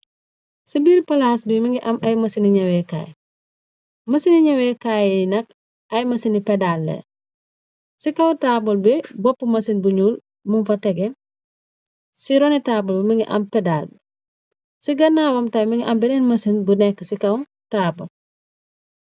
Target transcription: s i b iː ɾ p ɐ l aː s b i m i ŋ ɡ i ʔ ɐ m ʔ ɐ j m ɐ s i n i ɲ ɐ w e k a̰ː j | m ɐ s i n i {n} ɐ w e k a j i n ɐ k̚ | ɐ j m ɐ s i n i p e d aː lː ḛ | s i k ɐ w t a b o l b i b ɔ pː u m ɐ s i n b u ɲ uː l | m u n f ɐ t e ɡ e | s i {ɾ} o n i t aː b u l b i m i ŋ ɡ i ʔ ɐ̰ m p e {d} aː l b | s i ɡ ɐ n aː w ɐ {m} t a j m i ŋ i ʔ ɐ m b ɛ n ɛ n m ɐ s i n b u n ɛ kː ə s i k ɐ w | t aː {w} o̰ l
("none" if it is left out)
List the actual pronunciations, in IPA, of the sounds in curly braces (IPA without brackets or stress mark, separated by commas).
ɲ, ɾ, d, m, b